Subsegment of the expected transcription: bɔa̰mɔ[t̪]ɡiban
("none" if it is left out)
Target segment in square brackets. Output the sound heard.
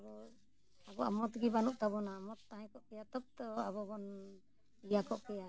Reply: t̪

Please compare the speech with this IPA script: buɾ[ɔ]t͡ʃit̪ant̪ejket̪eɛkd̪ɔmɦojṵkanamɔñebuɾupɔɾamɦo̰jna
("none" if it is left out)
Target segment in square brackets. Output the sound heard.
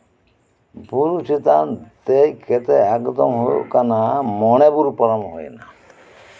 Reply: u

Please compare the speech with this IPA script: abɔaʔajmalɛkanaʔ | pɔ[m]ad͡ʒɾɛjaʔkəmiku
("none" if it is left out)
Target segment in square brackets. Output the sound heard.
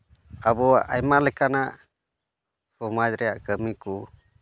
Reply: m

